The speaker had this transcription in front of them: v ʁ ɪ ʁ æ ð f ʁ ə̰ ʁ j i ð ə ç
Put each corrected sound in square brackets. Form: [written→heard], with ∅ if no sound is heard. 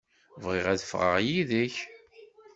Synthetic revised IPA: v ʁ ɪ ʁ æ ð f ʁ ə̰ ʁ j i ð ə ç